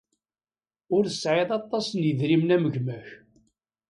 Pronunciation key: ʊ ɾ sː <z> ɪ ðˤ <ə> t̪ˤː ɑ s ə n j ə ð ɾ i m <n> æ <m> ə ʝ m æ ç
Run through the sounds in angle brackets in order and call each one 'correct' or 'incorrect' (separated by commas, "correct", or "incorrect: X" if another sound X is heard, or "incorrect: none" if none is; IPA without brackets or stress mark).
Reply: incorrect: ʕ, incorrect: ɑ, correct, correct